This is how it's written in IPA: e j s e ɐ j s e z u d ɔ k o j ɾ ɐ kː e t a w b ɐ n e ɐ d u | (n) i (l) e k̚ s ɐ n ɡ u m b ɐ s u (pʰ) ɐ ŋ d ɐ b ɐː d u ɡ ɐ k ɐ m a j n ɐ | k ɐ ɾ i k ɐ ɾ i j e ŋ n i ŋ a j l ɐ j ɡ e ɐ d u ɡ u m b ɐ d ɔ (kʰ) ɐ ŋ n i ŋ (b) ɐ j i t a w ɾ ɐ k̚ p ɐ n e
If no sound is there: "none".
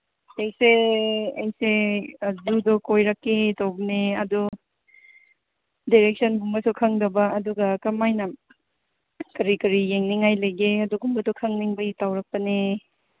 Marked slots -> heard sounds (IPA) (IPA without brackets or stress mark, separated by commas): d, ɾ, kʰ, kʰ, b